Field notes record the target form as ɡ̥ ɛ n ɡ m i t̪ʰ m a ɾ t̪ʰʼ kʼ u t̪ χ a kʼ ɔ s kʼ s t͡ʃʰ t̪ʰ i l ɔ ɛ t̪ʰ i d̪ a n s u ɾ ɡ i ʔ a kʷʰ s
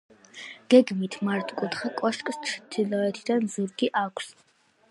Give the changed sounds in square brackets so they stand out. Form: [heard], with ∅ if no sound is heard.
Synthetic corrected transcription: ɡ̥ ɛ [∅] ɡ m i t̪ʰ m a ɾ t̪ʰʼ kʼ u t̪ χ a kʼ ɔ [ʃ] kʼ s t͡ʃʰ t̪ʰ i l ɔ ɛ t̪ʰ i d̪ a n [z] u ɾ ɡ i ʔ a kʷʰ s

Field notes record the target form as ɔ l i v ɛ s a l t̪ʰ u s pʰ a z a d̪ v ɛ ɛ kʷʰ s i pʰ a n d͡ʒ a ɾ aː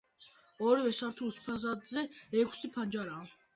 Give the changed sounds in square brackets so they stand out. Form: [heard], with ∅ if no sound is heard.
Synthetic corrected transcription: ɔ [ɾ] i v ɛ s a [ɾ] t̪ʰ u s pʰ a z a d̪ [z] ɛ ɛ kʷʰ s i pʰ a n d͡ʒ a ɾ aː

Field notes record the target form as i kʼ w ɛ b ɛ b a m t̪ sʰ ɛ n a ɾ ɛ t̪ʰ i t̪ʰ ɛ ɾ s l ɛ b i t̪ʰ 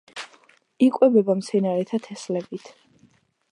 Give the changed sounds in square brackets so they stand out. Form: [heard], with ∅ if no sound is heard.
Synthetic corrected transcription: i kʼ w ɛ b ɛ b a m t̪ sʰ ɛ n a ɾ ɛ t̪ʰ [a] t̪ʰ ɛ [∅] s l ɛ b i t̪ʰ

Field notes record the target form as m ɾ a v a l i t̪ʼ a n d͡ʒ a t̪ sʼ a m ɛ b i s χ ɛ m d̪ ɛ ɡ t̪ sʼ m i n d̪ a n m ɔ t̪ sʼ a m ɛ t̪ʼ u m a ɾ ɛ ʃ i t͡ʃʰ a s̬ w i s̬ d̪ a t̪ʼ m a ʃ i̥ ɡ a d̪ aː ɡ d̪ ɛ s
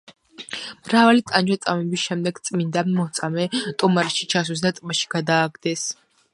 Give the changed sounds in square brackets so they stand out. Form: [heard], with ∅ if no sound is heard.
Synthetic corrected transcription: m ɾ a v a l i t̪ʼ a n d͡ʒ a t̪ sʼ a m ɛ b i s [ʃ] ɛ m d̪ ɛ ɡ t̪ sʼ m i n d̪ a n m ɔ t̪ sʼ a m ɛ t̪ʼ u m a ɾ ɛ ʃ i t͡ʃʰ a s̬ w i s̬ d̪ a t̪ʼ m a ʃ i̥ ɡ a d̪ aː ɡ d̪ ɛ s

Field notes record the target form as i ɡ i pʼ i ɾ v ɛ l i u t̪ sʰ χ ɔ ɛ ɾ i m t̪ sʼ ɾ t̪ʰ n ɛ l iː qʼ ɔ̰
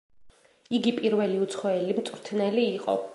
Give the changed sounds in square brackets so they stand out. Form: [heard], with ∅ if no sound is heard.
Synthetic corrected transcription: i ɡ i pʼ i ɾ v ɛ l i u t̪ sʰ χ ɔ ɛ [l] i m t̪ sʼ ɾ t̪ʰ n ɛ l iː qʼ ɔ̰

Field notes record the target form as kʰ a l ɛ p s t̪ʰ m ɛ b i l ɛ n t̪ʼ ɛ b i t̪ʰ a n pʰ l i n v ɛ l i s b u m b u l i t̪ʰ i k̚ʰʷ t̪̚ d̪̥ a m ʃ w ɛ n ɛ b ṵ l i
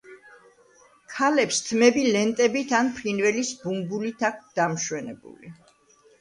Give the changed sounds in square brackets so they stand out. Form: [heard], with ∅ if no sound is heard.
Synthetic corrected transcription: kʰ a l ɛ p s t̪ʰ m ɛ b i l ɛ n t̪ʼ ɛ b i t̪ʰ a n pʰ l i n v ɛ l i s b u m b u l i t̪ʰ [a] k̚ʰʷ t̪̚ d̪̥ a m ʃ w ɛ n ɛ b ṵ l i

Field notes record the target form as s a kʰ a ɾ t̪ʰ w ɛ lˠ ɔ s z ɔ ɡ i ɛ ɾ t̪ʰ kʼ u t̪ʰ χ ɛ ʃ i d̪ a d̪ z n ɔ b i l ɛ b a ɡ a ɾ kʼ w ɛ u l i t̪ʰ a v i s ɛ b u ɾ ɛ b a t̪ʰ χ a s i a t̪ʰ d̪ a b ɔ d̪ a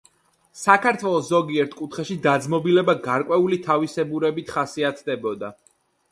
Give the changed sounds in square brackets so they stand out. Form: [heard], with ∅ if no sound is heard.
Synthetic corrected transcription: s a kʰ a ɾ t̪ʰ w ɛ lˠ ɔ s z ɔ ɡ i ɛ ɾ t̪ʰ kʼ u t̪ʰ χ ɛ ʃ i d̪ a d̪ z [m] ɔ b i l ɛ b a ɡ a ɾ kʼ w ɛ u l i t̪ʰ a v i s ɛ b u ɾ ɛ b [i] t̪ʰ χ a s i a t̪ʰ d̪ [ɛ] b ɔ d̪ a

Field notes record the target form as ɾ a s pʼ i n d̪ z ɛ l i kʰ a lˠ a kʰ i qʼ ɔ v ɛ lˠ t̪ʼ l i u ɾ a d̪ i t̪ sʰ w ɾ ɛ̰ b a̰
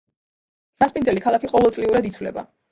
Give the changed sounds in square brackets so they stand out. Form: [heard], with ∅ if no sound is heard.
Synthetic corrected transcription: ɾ a s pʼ i n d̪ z ɛ l i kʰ a lˠ a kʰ i qʼ ɔ v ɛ lˠ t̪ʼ l i u ɾ a d̪ i t̪ sʰ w [l] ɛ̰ b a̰

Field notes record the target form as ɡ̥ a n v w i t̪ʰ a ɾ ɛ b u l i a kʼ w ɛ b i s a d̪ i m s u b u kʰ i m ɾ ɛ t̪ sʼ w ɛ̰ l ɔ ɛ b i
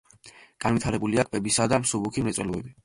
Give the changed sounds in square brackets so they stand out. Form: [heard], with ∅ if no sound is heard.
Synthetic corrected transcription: ɡ̥ a n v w i t̪ʰ a ɾ ɛ b u l i a kʼ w ɛ b i s a d̪ [a] m s u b u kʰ i m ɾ ɛ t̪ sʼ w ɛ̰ l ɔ ɛ b i

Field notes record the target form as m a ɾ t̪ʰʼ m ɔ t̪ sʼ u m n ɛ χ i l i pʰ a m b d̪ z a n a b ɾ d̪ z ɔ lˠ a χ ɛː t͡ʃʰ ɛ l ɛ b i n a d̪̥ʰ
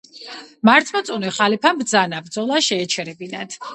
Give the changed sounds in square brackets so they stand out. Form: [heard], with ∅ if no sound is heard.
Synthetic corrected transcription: m a ɾ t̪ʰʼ m ɔ t̪ sʼ u [∅] n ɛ χ [a] l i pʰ a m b d̪ z a n a b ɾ d̪ z ɔ lˠ a [ʃ] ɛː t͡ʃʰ ɛ [ɾ] ɛ b i n a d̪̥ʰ

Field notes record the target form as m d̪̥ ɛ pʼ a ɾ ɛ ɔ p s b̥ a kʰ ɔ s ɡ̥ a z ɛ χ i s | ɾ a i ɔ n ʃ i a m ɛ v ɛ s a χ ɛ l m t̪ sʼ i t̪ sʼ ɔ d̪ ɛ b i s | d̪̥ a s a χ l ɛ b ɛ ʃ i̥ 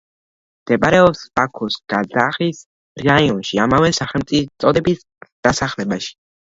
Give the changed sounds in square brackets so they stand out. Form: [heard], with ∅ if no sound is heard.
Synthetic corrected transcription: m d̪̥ ɛ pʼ a ɾ ɛ ɔ p s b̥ a kʰ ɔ s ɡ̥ a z [a] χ i s | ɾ a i ɔ n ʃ i a m [a] v ɛ s a χ ɛ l m t̪ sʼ i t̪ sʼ ɔ d̪ ɛ b i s | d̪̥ a s a χ l ɛ b [a] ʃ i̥

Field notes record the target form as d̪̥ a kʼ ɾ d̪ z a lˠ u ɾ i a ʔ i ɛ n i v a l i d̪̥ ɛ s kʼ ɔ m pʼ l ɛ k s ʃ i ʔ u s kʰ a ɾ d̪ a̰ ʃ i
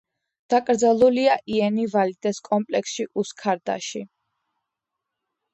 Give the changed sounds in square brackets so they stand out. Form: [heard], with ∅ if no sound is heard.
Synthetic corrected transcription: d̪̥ a kʼ ɾ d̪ z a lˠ u [l] i a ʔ i ɛ n i v a l i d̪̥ ɛ s kʼ ɔ m pʼ l ɛ k s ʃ i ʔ u s kʰ a ɾ d̪ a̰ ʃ i

